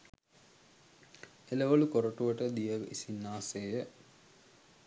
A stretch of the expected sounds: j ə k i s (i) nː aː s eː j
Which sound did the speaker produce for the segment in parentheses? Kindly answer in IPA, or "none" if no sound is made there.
i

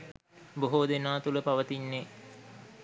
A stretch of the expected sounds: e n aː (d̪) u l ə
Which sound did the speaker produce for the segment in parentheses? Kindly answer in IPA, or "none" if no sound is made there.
t̪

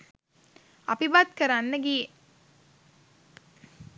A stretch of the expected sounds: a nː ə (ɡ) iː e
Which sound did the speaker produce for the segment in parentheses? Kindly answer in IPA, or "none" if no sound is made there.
ɡ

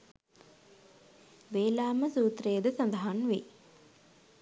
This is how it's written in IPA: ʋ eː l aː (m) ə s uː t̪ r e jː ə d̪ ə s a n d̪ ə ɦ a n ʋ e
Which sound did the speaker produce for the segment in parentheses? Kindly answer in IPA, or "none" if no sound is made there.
m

